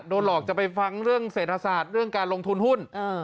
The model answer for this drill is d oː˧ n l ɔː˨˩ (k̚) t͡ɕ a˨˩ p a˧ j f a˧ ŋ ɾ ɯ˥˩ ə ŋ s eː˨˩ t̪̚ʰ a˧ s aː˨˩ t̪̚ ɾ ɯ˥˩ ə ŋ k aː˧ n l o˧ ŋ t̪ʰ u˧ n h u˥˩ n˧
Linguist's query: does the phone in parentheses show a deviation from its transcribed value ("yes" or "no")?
no